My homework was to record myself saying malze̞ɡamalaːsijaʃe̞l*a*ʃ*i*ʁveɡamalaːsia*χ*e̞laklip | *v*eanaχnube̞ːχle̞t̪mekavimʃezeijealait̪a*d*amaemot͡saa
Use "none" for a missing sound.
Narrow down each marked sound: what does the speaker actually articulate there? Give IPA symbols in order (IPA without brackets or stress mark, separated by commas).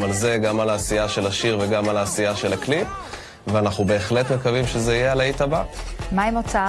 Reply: a, i, ʃ, v, b